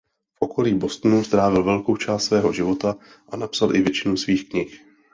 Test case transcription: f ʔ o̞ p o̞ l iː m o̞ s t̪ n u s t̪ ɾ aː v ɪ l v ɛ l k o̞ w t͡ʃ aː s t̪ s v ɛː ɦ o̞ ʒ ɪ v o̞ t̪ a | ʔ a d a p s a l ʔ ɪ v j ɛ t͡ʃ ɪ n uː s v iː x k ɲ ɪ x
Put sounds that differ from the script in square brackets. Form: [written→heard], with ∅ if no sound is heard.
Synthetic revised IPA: f ʔ o̞ [p→k] o̞ l iː [m→b] o̞ s t̪ n u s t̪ ɾ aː v ɪ l v ɛ l k o̞ w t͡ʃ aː s t̪ s v ɛː ɦ o̞ ʒ ɪ v o̞ t̪ a | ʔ a [d→n] a p s a l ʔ ɪ v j ɛ t͡ʃ ɪ n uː s v iː x k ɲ ɪ x